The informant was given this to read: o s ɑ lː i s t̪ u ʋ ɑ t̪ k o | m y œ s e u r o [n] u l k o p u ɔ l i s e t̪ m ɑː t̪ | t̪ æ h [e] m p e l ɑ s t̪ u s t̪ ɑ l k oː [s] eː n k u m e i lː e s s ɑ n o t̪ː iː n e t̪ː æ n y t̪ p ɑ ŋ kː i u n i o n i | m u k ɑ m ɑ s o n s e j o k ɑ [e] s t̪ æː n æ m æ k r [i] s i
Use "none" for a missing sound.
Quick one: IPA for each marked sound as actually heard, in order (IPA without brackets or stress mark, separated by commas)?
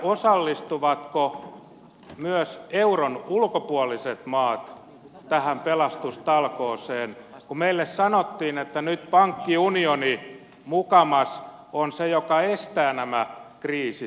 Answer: n, æ, s, e, iː